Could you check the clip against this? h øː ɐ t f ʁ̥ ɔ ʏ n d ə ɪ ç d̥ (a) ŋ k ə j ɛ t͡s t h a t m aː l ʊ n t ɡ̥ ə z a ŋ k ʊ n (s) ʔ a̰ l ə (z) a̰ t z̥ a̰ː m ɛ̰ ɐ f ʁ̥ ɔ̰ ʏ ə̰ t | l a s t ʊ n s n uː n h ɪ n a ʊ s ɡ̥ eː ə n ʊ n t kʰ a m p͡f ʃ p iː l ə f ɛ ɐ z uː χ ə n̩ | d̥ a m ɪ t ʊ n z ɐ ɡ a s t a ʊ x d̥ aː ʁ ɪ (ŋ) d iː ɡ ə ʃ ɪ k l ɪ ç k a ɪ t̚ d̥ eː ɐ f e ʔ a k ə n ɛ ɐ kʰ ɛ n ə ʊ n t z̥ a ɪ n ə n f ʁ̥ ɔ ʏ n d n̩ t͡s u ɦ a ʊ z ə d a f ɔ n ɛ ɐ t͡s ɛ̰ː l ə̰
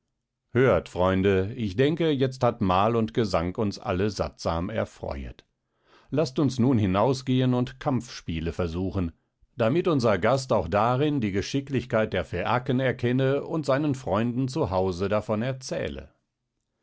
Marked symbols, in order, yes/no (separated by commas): no, yes, yes, no